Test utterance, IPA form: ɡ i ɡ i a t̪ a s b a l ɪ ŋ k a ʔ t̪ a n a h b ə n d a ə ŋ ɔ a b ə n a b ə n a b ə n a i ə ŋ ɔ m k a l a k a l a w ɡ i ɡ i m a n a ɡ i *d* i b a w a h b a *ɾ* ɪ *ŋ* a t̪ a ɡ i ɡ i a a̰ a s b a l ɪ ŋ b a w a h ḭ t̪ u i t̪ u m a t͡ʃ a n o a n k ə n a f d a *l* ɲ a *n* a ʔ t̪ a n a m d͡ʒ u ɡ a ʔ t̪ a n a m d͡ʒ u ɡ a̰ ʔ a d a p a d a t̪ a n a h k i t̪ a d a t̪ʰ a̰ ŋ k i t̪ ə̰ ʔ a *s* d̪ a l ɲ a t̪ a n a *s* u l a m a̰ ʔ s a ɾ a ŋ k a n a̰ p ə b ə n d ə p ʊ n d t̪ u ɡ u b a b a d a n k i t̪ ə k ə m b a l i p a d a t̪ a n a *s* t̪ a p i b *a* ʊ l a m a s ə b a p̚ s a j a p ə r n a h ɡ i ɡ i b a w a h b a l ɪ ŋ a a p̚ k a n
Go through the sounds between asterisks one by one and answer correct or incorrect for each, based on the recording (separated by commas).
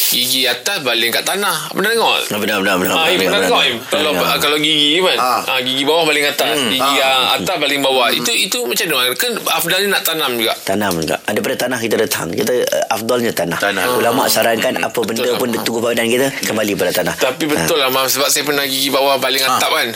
incorrect, incorrect, correct, correct, correct, incorrect, incorrect, incorrect, incorrect